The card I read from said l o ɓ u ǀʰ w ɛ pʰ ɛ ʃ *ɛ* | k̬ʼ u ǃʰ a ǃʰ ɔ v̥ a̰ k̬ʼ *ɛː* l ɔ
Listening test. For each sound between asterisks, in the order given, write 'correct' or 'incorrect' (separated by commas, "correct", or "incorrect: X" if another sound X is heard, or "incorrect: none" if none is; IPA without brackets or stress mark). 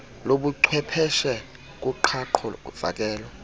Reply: correct, correct